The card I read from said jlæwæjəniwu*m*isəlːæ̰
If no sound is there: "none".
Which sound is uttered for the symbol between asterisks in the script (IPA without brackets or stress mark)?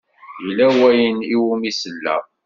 m